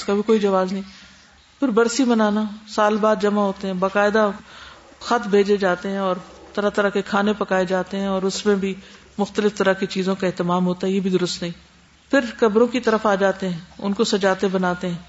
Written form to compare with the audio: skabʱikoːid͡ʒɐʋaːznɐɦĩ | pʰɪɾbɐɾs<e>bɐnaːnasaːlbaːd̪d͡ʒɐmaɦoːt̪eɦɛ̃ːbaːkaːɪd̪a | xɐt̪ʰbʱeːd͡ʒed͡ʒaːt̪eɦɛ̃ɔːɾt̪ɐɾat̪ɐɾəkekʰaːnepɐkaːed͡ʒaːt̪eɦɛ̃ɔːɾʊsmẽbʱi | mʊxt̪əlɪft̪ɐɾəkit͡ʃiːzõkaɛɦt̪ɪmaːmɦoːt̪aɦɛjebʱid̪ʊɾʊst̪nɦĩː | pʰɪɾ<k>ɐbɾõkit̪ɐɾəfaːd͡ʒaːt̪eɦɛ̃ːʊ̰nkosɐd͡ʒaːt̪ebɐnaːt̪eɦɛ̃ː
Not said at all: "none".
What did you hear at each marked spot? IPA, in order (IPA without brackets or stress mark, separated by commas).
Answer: i, k